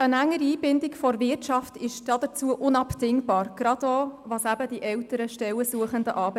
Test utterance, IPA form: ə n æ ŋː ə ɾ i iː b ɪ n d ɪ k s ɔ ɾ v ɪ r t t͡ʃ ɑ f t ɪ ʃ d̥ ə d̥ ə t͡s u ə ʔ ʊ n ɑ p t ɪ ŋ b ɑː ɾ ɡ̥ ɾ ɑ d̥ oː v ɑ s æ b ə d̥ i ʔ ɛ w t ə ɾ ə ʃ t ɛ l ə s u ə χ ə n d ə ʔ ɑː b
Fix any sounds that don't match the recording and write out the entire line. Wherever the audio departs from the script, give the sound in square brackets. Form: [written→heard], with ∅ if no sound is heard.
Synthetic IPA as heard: ə n æ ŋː ə ɾ i iː b ɪ n d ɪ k [s→f] ɔ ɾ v ɪ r t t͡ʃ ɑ f t ɪ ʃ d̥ [ə→ɑ] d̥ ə t͡s u ə ʔ ʊ n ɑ p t ɪ ŋ b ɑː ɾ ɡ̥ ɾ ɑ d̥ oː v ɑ s æ b ə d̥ i ʔ ɛ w t ə ɾ ə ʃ t ɛ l ə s u ə χ ə n d ə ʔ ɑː b